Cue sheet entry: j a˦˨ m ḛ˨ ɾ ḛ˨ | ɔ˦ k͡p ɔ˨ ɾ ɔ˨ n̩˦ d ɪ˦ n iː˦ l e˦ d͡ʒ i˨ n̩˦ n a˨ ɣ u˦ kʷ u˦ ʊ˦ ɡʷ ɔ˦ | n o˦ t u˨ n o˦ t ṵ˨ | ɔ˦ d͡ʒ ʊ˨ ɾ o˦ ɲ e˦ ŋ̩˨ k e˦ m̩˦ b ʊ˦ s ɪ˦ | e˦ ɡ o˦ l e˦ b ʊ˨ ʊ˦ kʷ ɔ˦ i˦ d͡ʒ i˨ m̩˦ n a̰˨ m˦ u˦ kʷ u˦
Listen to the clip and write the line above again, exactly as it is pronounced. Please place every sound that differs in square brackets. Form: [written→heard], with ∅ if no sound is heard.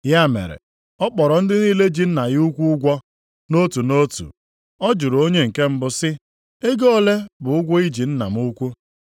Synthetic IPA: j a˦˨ m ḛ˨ ɾ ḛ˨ | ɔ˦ k͡p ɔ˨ ɾ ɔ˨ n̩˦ d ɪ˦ n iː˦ l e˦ d͡ʒ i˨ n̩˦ n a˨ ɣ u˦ kʷ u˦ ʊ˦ ɡʷ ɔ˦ | n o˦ t u˨ n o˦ t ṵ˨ | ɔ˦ d͡ʒ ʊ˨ ɾ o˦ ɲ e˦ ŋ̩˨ k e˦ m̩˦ b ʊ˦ s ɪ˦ | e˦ ɡ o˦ l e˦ b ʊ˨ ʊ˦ [kʷ→ɡʷ] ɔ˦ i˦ d͡ʒ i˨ [m̩˦→n̩˦] n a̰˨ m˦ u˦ kʷ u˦